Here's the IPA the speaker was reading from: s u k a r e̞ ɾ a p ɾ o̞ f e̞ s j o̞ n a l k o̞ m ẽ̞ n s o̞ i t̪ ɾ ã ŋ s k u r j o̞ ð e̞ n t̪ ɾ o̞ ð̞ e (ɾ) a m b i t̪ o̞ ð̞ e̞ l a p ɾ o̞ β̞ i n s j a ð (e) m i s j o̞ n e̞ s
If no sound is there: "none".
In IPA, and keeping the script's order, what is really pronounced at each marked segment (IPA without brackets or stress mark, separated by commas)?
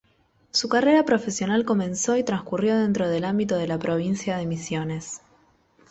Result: l, e